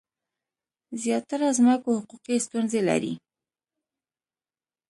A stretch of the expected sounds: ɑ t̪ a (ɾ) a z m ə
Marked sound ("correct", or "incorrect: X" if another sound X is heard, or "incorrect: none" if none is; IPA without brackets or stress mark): correct